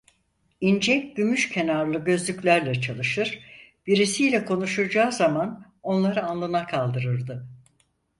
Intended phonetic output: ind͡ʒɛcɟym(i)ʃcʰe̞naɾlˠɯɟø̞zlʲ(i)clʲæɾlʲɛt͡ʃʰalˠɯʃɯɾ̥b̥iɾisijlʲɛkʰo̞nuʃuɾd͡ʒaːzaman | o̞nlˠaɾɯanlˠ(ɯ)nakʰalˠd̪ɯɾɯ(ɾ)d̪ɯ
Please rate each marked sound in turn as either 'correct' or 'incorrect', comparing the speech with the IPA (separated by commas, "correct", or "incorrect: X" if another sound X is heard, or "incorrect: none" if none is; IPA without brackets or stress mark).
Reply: incorrect: y, incorrect: y, correct, correct